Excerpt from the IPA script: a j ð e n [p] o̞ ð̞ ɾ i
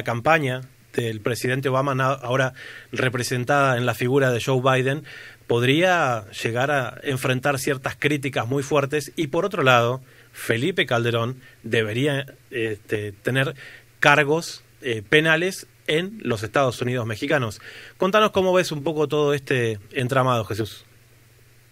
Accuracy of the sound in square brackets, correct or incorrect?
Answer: correct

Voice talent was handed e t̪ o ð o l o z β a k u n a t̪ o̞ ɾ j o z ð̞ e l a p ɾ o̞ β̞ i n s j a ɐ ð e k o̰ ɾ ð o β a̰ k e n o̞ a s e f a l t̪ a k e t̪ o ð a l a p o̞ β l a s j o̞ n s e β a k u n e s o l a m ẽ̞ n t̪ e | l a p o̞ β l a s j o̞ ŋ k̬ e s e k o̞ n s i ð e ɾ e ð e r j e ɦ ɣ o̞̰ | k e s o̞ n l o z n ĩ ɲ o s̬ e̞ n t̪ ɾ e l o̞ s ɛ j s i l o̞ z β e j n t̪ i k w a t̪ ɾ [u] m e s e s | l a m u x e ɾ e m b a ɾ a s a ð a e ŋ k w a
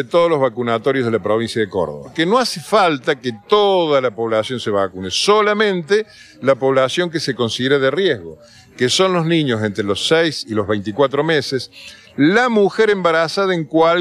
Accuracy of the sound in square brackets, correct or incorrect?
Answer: incorrect: o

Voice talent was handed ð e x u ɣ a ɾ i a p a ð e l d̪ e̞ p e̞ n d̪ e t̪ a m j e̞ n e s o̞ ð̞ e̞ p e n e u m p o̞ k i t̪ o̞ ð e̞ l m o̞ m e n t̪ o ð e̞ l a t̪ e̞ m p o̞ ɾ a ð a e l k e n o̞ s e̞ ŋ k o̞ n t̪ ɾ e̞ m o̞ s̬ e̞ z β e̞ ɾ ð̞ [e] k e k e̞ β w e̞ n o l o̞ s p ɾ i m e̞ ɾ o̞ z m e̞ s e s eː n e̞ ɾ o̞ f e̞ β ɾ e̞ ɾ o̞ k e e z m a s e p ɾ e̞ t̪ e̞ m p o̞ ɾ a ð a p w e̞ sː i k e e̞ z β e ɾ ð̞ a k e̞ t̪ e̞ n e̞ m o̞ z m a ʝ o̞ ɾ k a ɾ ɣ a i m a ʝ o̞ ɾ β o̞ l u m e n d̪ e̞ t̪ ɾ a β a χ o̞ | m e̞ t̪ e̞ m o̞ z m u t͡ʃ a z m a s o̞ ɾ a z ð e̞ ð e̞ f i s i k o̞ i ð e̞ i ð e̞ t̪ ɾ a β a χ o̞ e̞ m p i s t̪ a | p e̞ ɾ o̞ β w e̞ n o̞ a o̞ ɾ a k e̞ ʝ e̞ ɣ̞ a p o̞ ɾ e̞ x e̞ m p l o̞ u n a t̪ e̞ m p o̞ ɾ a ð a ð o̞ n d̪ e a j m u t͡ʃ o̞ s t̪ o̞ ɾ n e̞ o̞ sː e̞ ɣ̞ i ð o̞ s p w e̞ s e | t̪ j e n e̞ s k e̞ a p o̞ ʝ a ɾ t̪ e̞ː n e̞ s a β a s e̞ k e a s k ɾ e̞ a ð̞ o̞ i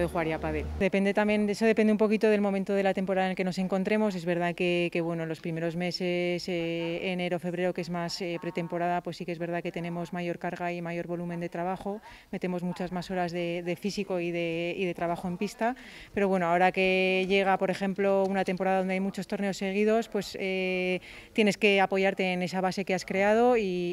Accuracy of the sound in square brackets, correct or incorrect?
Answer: incorrect: a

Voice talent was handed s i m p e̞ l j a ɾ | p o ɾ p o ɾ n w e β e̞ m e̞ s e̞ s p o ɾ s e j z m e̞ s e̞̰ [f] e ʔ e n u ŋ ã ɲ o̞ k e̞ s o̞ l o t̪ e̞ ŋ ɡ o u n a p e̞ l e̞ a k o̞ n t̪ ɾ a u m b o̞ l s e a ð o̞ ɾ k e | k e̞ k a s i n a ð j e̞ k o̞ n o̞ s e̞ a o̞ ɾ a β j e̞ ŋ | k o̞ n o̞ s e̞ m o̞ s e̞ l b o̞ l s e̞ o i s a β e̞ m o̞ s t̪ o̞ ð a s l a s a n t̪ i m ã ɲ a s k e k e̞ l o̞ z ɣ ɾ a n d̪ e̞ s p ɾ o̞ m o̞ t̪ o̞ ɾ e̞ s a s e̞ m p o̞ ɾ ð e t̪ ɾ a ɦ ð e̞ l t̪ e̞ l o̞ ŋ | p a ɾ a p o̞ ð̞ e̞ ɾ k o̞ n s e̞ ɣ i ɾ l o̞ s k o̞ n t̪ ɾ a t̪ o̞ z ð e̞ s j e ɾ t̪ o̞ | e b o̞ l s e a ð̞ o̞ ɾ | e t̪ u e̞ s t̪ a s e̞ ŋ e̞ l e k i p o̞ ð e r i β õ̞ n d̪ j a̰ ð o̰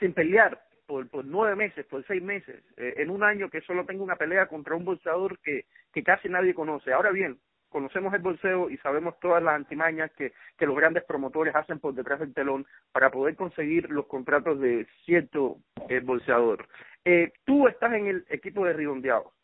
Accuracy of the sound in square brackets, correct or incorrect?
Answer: incorrect: s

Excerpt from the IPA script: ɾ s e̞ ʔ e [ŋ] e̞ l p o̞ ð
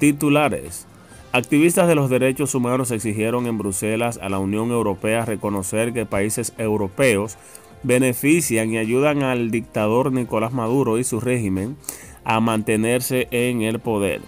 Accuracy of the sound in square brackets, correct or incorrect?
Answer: correct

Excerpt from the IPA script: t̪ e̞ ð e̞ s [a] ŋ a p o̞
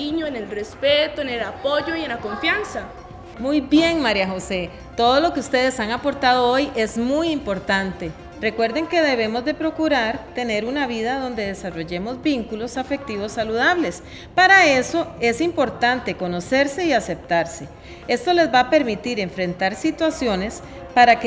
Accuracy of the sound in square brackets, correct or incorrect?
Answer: correct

